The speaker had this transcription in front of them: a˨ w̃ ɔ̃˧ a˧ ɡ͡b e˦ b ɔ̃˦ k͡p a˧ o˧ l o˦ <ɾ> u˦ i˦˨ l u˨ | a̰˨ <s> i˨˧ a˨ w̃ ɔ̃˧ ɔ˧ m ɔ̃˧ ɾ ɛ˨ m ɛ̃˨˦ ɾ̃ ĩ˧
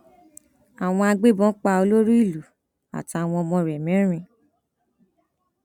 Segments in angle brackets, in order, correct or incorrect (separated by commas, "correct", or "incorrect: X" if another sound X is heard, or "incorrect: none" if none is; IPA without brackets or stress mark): correct, incorrect: t